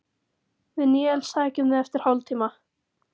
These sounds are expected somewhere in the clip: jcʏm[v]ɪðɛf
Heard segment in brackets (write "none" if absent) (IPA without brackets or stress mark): ð